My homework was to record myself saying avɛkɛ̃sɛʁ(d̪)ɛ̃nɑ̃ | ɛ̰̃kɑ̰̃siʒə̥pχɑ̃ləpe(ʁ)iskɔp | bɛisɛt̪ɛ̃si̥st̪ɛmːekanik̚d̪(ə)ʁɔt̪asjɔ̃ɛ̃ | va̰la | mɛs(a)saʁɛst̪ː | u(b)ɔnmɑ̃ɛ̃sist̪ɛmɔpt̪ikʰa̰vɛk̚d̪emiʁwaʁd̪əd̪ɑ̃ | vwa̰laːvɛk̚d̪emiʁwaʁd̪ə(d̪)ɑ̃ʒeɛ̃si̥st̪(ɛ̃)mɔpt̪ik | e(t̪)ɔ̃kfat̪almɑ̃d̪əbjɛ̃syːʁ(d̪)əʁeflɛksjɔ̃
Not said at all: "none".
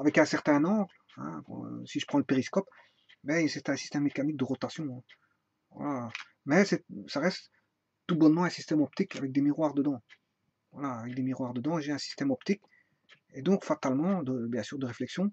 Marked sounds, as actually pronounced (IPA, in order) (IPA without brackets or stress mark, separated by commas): t̪, ʁ, ə, ɛ, b, d̪, ɛ, d̪, d̪